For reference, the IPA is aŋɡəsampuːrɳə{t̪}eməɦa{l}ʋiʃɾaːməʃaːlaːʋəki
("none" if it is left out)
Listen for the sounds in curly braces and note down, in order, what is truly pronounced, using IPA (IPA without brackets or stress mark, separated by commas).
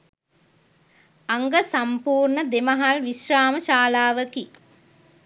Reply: d̪, l